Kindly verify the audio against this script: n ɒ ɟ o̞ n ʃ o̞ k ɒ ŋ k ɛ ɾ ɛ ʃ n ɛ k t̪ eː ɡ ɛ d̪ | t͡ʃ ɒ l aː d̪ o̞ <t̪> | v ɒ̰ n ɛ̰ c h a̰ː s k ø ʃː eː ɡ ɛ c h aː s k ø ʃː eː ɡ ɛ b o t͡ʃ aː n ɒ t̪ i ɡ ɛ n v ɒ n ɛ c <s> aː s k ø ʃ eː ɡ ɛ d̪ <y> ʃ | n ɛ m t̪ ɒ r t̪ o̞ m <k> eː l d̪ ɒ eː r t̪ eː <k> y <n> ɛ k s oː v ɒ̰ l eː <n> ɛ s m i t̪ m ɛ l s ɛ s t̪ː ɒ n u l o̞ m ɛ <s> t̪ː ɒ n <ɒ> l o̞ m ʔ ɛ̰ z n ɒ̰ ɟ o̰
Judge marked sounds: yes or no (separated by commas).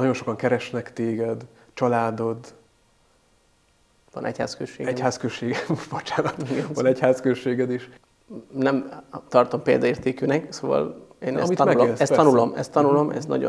no, no, no, no, yes, yes, yes, yes, no